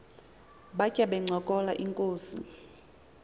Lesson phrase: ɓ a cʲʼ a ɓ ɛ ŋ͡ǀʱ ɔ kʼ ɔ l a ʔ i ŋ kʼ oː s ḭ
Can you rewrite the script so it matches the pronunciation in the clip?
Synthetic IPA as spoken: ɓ a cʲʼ a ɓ ɛ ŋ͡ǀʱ ɔ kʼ ɔ l a ʔ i ŋ kʼ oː s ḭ